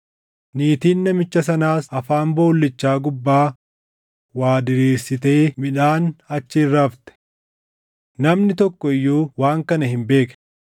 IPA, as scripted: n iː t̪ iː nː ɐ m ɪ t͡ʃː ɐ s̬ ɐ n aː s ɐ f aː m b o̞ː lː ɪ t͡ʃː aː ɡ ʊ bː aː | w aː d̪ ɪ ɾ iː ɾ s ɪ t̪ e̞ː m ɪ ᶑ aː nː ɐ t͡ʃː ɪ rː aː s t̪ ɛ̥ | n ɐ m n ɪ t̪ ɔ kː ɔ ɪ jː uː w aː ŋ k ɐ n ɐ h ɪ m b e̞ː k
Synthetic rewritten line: n iː t̪ iː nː ɐ m ɪ t͡ʃː ɐ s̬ ɐ n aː s ɐ f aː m b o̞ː lː ɪ t͡ʃː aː ɡ ʊ bː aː | w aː d̪ ɪ ɾ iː ɾ s ɪ t̪ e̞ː m ɪ ᶑ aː n ɐ t͡ʃː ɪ rː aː f t̪ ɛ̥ | n ɐ m n ɪ t̪ ɔ kː ɔ ɪ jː uː w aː ŋ k ɐ n ɐ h ɪ m b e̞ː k